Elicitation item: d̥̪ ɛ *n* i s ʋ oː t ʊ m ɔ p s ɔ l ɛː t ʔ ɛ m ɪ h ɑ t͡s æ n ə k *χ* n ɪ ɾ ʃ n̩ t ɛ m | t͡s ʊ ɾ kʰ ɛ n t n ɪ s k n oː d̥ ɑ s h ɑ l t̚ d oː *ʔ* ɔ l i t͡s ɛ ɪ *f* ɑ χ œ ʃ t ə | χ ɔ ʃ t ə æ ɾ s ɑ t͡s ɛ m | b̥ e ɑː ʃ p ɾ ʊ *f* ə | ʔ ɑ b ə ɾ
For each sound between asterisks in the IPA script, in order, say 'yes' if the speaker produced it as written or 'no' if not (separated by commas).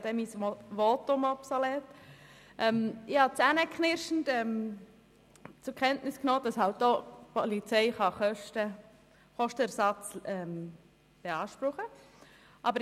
no, yes, no, no, no